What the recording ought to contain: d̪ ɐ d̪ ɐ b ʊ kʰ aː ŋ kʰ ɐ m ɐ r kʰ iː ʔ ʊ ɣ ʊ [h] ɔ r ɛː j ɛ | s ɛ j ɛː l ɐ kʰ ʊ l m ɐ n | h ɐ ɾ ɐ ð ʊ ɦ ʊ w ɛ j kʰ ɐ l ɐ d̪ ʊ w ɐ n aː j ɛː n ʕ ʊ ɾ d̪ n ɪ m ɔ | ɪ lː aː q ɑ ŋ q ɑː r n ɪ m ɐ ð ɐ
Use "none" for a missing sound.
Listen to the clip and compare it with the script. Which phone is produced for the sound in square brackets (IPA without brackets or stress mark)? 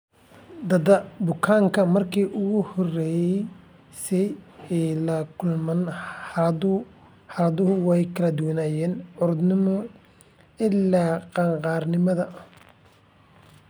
h